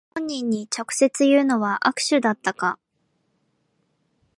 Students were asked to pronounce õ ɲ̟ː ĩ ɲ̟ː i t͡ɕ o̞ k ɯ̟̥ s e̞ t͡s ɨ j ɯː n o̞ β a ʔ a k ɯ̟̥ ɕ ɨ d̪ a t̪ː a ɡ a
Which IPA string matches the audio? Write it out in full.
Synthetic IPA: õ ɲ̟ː ĩ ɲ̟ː i t͡ɕ o̞ k ɯ̟̥ s e̞ t͡s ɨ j ɯː n o̞ β a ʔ a k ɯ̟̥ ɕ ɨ d̪ a t̪ː a k a